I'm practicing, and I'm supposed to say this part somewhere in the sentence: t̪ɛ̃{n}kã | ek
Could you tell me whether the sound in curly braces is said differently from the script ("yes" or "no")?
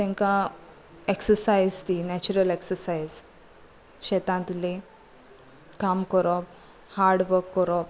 yes